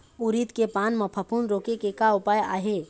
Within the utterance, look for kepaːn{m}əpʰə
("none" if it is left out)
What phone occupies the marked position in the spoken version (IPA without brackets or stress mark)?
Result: m